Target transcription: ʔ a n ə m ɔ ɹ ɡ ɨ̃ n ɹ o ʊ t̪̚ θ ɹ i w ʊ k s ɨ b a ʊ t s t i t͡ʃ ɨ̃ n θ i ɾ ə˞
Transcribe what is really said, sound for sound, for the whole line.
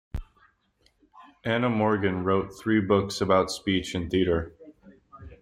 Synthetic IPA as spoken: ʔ æ n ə m ɔ ɹ ɡ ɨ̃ n ɹ o ʊ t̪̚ θ ɹ i b ʊ k s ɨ b a ʊ t s p i t͡ʃ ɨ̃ n θ i ɾ ə˞

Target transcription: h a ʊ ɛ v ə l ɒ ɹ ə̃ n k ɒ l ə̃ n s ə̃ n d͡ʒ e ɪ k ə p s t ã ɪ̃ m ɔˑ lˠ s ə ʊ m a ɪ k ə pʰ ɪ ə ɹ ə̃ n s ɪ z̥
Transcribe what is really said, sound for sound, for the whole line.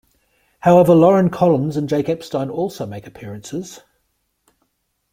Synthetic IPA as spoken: h a ʊ ɛ v ə l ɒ ɹ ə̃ n kʰ ɒ l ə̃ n z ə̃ n d͡ʒ e ɪ k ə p s t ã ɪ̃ n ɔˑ lˠ s ə ʊ m e ɪ k ə pʰ ɪ ə ɹ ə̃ n s ɪ z̥

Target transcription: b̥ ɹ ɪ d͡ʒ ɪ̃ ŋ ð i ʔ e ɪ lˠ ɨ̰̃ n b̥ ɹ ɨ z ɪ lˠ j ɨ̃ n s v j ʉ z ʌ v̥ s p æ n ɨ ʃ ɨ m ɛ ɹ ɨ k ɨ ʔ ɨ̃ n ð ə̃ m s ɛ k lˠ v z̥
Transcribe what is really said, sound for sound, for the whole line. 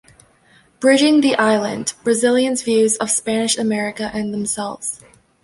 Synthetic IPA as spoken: b̥ ɹ ɪ d͡ʒ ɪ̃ ŋ ð i ʔ a ɪ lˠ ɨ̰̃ n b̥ ɹ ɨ z ɪ lˠ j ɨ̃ n z v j ʉ z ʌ v̥ s p æ n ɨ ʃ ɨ m ɛ ɹ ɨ k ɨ ʔ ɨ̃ n ð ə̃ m s ɛ lˠ v z̥

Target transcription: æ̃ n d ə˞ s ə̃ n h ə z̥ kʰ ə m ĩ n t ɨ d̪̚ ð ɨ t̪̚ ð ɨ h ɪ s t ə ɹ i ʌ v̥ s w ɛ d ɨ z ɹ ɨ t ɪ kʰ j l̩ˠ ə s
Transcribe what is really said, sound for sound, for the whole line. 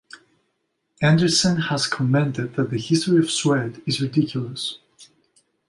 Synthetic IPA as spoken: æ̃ n d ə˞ s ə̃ n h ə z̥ kʰ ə m ɛ̃ n t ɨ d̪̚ ð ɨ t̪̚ ð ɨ h ɪ s t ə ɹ i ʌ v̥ s w ɛ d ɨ z ɹ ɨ d ɪ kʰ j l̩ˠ ə s

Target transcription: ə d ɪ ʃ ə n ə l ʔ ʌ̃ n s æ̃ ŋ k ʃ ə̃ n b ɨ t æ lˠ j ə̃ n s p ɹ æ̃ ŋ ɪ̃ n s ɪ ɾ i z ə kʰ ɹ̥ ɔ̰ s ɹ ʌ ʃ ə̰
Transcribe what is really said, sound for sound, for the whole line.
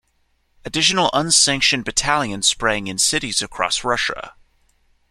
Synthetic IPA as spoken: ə d ɪ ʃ ə n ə l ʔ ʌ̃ n s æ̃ ŋ k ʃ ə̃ n b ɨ tʰ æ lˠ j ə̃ n s p ɹ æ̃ ŋ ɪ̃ n s ɪ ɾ i z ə kʰ ɹ̥ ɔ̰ s ɹ ʌ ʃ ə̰

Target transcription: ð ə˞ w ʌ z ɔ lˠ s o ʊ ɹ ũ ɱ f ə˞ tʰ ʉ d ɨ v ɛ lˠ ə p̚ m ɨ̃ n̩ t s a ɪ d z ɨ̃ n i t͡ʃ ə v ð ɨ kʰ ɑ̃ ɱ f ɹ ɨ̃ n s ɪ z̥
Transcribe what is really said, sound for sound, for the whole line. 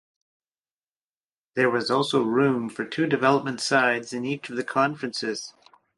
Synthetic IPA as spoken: ð ə˞ w ʌ z ɔ lˠ s o ʊ ɹ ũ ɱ f ə˞ tʰ ʉ d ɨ v ɛ lˠ ə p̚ m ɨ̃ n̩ t s a ɪ d z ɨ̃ n i t͡ʃ ʌ v ð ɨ kʰ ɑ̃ ɱ f ɹ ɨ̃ n s ɪ z̥

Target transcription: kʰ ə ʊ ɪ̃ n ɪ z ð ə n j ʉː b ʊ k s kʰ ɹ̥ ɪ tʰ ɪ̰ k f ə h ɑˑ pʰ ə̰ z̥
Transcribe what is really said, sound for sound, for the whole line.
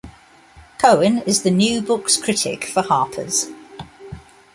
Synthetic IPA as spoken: kʰ ə ʊ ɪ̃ n ɪ z ð ə n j ʉː b ʊ k s kʰ ɹ̥ ɪ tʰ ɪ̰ k f ə h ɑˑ pʰ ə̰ z̥

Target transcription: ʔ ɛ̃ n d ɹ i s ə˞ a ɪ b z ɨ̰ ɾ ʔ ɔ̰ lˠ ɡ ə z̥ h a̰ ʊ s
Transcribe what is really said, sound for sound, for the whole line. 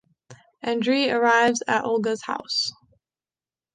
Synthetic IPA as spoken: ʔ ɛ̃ n d ɹ i ə˞ a ɪ v z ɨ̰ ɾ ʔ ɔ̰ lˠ ɡ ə z̥ h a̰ ʊ s

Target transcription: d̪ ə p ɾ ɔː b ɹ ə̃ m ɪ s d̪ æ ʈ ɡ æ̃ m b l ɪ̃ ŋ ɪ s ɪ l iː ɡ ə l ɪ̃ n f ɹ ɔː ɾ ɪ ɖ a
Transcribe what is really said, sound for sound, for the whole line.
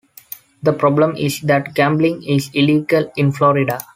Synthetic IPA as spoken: d̪ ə p ɾ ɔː b l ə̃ m ɪ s d̪ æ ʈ ɡ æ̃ m b l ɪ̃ ŋ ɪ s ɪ l iː ɡ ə l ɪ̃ n f l ɔː ɾ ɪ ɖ a

